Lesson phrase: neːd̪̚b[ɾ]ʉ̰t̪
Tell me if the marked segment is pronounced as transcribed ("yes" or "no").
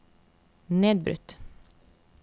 yes